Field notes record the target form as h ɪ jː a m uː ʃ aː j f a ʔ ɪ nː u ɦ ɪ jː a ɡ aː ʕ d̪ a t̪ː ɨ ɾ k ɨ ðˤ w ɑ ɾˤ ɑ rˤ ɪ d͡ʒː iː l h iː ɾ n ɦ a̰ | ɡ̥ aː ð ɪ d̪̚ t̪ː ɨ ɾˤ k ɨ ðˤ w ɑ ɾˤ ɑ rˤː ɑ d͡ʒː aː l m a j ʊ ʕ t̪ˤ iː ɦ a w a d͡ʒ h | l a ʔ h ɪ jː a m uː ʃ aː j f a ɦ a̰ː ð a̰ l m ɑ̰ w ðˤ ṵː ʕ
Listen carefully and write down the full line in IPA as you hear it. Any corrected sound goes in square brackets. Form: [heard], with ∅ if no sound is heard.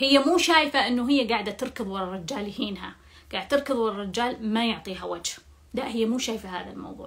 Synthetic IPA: h ɪ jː a m uː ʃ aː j f a ʔ ɪ nː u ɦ ɪ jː a ɡ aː ʕ d̪ a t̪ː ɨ ɾ k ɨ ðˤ w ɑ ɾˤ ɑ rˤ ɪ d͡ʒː [aː] l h iː [∅] n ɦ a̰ | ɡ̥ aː [ʕ] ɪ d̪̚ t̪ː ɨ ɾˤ k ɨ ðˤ w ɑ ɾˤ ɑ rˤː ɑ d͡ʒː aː l m a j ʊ ʕ t̪ˤ iː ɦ a w a d͡ʒ h | l a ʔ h ɪ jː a m uː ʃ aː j f a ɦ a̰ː ð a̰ l m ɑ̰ w ðˤ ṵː ʕ